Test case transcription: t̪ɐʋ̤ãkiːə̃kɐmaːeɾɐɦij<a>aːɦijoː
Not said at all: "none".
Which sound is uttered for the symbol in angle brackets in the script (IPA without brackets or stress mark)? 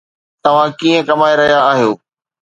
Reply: a